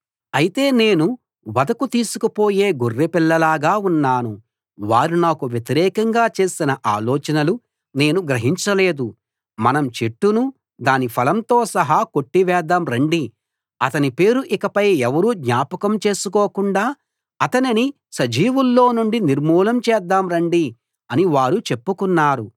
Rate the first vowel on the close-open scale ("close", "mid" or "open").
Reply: open